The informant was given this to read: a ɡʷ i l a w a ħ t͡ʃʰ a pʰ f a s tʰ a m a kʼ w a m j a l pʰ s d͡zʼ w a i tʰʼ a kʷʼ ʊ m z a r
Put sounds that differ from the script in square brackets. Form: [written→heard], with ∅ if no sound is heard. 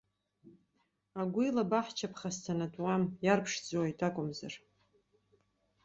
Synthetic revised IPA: a ɡʷ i l a [w→b] a ħ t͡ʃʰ a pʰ [f→χ] a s tʰ a [m→n] a [kʼ→tʼ] w a m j a [l→r] pʰ [s→ʂ] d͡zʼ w a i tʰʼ a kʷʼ ʊ m z a r